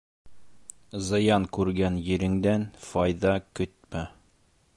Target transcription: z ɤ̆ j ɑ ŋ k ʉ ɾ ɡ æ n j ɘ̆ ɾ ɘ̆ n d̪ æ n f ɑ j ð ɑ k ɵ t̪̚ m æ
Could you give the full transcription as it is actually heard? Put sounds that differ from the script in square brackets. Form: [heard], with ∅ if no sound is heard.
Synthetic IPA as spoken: z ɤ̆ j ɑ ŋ k ʉ ɾ ɡ æ n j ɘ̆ ɾ ɘ̆ [ŋ] d̪ æ n f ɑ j ð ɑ k ɵ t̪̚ m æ